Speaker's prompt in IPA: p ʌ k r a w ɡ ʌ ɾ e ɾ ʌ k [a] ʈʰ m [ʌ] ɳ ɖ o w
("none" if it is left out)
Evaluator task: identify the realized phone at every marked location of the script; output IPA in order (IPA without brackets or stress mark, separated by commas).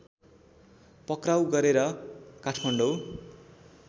a, ʌ